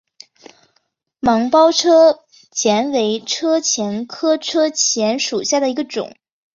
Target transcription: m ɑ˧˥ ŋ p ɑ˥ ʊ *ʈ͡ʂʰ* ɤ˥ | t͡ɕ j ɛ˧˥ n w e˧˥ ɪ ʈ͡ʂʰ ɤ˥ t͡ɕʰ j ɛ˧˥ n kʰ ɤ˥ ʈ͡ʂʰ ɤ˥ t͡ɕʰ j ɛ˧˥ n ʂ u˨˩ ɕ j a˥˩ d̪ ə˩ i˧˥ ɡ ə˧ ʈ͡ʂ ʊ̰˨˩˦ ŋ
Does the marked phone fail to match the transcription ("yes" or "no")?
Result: no